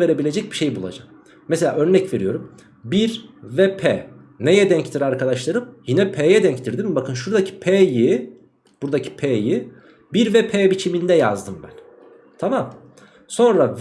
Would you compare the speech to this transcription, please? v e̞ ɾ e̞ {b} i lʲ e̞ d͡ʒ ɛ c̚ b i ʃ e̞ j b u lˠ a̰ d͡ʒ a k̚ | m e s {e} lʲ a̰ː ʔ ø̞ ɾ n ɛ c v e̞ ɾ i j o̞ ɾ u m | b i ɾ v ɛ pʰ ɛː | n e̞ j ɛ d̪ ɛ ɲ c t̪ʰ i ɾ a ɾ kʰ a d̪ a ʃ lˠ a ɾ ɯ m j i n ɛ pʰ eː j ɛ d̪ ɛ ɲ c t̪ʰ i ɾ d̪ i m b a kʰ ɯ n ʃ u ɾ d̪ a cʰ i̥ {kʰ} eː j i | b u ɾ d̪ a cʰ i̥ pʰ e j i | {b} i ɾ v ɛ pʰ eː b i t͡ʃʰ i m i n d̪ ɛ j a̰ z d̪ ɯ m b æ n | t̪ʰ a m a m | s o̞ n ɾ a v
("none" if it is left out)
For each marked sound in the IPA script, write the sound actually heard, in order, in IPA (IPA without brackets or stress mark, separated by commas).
b, e, pʰ, b